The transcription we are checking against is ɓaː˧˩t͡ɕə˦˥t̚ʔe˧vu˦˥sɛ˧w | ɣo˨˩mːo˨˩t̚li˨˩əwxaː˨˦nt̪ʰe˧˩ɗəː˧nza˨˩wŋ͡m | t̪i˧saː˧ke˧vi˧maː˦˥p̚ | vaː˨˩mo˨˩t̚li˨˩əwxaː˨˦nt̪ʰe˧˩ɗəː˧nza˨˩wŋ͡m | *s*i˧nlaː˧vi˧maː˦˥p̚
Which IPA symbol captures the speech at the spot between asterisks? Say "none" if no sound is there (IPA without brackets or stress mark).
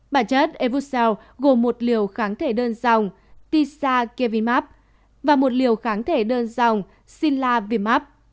s